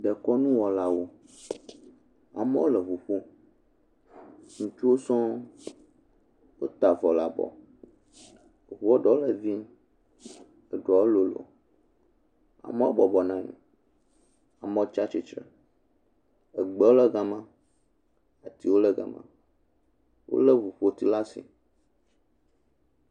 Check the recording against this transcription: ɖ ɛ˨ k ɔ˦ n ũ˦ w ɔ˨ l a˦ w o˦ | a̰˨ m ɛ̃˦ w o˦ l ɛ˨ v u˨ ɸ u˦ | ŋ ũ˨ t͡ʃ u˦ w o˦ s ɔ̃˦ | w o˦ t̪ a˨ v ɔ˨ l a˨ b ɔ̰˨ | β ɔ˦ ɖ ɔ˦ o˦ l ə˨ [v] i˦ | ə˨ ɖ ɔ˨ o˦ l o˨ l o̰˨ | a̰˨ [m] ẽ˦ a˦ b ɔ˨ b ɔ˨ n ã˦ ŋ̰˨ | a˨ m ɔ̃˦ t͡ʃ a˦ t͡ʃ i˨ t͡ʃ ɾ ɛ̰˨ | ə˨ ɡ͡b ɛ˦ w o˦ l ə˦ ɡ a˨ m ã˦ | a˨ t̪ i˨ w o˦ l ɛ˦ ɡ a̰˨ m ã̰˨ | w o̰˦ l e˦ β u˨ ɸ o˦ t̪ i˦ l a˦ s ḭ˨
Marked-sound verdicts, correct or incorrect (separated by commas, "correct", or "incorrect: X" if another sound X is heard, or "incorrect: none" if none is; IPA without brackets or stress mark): correct, correct